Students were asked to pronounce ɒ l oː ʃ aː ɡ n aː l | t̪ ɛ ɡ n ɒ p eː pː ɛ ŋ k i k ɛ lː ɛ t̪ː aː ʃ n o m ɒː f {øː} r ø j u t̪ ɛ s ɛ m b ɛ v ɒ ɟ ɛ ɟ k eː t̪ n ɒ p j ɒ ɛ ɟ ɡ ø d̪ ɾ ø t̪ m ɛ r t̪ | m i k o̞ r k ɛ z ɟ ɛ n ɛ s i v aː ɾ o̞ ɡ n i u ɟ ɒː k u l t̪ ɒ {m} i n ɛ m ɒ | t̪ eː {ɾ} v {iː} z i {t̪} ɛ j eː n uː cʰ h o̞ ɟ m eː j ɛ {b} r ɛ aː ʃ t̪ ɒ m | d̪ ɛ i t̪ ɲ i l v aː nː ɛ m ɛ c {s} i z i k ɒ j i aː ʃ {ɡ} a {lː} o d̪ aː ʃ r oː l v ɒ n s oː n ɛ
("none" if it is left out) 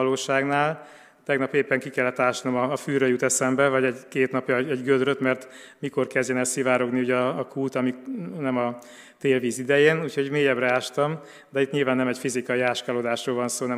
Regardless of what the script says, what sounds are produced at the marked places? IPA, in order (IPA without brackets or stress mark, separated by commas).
yː, m, l, iː, d̪, b, f, k, l